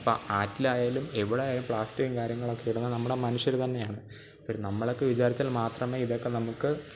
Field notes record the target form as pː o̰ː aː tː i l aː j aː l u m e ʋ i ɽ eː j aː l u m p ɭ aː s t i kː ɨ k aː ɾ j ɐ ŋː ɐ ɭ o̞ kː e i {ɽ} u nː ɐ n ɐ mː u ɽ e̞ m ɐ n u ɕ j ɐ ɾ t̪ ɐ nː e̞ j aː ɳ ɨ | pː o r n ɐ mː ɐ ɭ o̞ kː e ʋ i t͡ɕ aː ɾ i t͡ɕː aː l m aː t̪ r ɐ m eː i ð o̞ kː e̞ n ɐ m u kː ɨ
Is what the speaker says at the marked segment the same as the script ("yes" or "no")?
yes